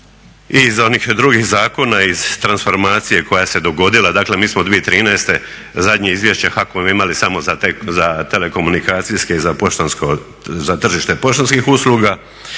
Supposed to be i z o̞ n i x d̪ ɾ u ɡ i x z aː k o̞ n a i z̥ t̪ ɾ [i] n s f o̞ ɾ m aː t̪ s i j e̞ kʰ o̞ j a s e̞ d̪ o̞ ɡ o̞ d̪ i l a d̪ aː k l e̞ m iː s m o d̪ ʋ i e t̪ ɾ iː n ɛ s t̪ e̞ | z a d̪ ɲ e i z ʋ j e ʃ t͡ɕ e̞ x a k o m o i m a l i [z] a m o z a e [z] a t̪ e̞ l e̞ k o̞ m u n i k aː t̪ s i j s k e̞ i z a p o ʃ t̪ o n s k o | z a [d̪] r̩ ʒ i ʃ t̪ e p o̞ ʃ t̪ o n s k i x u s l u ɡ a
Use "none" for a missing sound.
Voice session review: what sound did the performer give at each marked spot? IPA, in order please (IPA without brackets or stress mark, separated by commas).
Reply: a, s, z, t̪